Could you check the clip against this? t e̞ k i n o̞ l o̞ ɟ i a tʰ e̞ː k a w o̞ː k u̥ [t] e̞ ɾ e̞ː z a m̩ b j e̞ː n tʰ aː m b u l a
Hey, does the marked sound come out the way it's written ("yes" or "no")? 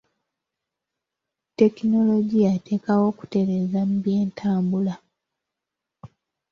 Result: yes